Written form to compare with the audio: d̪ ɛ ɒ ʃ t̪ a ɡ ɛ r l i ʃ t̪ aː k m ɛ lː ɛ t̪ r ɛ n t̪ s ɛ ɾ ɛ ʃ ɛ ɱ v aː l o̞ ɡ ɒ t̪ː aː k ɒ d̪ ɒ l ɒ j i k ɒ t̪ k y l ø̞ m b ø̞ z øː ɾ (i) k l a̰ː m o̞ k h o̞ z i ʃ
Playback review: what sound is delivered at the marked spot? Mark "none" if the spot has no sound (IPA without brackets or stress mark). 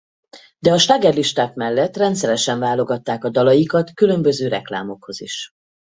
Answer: ɛ